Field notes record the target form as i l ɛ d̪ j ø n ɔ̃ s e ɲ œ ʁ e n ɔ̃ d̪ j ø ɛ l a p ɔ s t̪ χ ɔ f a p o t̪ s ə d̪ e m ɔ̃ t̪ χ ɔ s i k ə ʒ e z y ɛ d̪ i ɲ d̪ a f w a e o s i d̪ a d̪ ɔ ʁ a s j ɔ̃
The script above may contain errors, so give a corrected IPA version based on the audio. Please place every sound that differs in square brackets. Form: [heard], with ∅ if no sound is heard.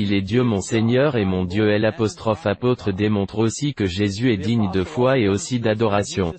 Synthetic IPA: i l ɛ d̪ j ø [m] ɔ̃ s e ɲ œ ʁ e [m] ɔ̃ d̪ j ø ɛ l a p ɔ s t̪ χ ɔ f a p o t̪ [χ] ə d̪ e m ɔ̃ t̪ χ [o] s i k ə ʒ e z y ɛ d̪ i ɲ d̪ [ə] f w a e o s i d̪ a d̪ ɔ ʁ a s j ɔ̃